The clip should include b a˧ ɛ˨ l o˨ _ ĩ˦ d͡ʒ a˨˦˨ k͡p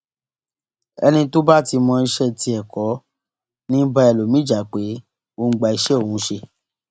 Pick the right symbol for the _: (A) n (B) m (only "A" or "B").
B